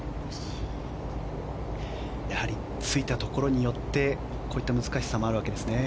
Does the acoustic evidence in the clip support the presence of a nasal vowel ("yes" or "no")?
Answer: no